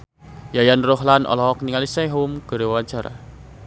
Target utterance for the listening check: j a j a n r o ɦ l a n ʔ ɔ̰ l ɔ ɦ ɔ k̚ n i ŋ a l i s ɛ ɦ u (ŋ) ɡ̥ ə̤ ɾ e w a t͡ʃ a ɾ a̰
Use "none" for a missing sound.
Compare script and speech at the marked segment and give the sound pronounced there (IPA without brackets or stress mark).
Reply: m